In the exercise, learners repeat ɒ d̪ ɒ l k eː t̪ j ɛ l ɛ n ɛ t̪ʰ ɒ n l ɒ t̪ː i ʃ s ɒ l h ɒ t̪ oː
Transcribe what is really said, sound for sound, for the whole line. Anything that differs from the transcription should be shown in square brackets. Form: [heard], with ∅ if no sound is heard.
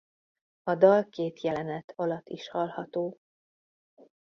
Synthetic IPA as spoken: ɒ d̪ ɒ l k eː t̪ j ɛ l ɛ n ɛ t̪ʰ ɒ [∅] l ɒ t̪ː i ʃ [h] ɒ l h ɒ t̪ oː